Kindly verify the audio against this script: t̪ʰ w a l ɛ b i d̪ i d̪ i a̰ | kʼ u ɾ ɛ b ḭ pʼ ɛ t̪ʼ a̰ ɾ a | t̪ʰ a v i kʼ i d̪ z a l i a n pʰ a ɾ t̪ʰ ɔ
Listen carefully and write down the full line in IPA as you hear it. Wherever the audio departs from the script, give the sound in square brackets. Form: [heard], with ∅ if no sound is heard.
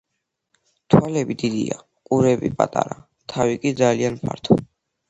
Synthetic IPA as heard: t̪ʰ w a l ɛ b i d̪ i d̪ i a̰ | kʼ u ɾ ɛ b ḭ pʼ [a] t̪ʼ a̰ ɾ a | t̪ʰ a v i kʼ i d̪ z a l i a n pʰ a ɾ t̪ʰ ɔ